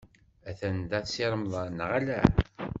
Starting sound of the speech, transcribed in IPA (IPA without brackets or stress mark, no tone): æ